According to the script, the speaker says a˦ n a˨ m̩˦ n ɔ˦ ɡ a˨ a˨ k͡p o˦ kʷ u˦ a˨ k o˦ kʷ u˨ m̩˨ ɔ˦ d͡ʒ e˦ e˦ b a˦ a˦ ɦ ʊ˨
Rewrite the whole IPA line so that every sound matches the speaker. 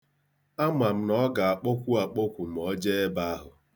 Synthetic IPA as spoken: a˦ m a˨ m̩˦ n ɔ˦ ɡ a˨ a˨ k͡p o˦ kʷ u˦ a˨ k͡p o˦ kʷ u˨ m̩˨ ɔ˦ d͡ʒ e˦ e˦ b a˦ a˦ ɦ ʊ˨